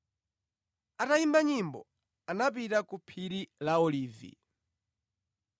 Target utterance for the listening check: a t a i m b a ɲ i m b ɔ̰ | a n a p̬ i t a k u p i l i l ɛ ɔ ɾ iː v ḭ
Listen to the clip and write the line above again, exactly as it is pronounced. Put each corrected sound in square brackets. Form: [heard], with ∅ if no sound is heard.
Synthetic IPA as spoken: a t a i m b a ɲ i m b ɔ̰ | a n a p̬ i t a k u [pʰ] i [ɾ] i l [a] ɔ [l] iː v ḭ